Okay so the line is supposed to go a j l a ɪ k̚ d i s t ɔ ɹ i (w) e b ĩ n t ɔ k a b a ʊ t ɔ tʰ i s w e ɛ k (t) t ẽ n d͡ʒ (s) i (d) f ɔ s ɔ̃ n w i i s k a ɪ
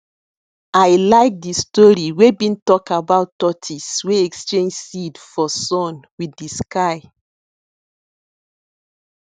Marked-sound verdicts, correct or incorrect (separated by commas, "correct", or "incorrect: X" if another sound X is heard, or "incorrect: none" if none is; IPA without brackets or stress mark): correct, incorrect: s, correct, correct